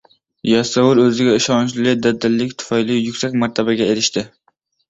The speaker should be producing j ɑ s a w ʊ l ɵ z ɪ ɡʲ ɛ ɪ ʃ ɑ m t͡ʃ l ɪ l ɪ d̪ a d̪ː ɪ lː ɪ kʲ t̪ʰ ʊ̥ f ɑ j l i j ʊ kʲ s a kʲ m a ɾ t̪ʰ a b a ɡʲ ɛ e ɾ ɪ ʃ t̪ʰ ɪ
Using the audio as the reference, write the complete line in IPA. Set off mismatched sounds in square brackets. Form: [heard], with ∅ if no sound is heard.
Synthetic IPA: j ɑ s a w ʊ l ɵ z ɪ ɡʲ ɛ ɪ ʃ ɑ [n] t͡ʃ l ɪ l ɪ d̪ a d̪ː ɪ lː ɪ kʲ t̪ʰ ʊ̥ f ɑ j l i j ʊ kʲ s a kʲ m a ɾ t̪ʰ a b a ɡʲ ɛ e ɾ ɪ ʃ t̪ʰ ɪ